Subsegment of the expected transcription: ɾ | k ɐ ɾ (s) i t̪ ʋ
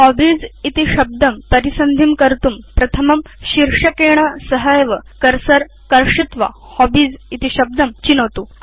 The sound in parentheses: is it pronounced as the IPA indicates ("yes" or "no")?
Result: no